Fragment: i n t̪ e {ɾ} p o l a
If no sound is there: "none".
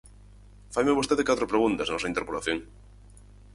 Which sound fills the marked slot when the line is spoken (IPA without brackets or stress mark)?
ɾ